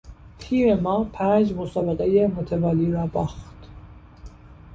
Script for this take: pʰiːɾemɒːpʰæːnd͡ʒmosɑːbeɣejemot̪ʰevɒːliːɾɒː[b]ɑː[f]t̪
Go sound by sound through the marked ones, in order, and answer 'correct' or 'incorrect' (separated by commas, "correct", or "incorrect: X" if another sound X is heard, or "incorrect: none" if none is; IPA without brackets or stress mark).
correct, incorrect: x